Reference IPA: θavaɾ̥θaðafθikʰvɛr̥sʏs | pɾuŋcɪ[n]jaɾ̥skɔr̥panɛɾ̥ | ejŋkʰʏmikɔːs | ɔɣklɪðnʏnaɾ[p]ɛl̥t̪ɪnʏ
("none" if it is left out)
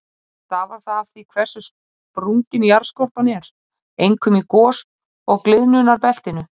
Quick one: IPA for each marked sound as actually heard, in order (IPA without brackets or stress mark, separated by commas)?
n, p